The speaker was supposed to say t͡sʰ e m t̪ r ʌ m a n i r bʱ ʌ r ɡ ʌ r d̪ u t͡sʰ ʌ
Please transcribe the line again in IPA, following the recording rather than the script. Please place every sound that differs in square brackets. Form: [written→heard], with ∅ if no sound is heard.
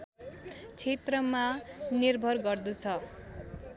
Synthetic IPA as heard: t͡sʰ e [m→∅] t̪ r ʌ m a n i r bʱ ʌ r ɡ ʌ r d̪ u t͡sʰ ʌ

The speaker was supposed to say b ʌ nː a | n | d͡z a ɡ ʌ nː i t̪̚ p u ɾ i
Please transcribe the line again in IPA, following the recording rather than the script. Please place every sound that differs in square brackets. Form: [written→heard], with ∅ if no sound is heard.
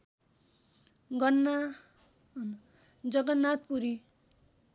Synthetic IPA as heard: [b→ɡ] ʌ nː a | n | d͡z [a→ʌ] ɡ ʌ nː [i→a] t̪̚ p u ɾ i

